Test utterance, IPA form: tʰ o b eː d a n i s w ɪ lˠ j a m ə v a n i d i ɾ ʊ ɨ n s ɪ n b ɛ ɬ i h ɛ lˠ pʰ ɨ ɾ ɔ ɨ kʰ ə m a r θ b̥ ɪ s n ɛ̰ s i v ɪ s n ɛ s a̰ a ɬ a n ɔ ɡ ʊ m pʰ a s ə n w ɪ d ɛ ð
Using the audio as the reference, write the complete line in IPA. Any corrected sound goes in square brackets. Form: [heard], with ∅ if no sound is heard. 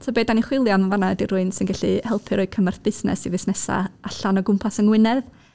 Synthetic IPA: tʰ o b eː d a n i [χ] w ɪ lˠ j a m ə v a n [a] d i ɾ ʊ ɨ n s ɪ n [ɡ] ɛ ɬ i h ɛ lˠ pʰ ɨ ɾ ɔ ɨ kʰ ə m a r θ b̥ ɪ s n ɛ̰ s i v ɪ s n ɛ s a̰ a ɬ a n ɔ ɡ ʊ m pʰ a s ə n w ɪ [n] ɛ ð